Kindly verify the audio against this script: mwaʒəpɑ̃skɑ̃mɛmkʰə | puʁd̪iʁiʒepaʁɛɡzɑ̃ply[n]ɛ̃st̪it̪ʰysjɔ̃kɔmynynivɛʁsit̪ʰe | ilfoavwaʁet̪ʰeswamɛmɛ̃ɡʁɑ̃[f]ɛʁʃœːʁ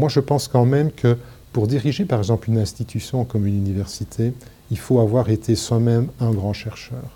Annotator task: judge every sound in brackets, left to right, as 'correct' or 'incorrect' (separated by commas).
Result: correct, incorrect